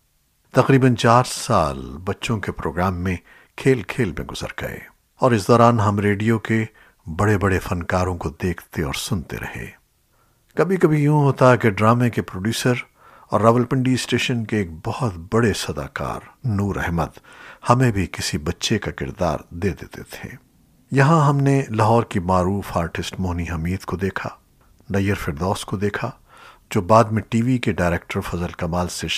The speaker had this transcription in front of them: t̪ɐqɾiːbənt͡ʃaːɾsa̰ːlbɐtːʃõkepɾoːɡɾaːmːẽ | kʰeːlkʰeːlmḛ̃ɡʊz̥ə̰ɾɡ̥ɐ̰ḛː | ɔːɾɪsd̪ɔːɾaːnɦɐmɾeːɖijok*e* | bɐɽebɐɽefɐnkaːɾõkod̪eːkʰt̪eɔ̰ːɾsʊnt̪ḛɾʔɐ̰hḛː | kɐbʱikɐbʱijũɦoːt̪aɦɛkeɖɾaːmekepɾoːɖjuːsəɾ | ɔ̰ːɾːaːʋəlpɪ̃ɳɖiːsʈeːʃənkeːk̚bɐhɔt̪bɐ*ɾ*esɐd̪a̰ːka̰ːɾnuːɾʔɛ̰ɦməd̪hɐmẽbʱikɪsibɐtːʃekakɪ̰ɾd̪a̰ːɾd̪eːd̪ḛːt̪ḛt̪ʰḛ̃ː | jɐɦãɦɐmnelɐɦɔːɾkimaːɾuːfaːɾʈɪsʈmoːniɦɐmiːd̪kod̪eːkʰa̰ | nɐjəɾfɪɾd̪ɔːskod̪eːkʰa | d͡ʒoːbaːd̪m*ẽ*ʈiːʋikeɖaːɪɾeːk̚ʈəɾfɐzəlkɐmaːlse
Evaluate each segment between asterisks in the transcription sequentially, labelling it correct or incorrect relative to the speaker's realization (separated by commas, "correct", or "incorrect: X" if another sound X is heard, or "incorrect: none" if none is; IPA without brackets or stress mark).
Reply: correct, incorrect: ɽ, correct